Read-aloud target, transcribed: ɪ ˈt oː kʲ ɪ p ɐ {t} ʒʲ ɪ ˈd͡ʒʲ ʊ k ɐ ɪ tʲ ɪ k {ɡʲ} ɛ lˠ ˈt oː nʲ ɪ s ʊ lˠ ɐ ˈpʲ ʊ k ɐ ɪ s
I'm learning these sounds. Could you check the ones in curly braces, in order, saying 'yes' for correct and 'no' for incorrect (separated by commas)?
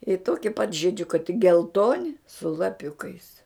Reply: yes, yes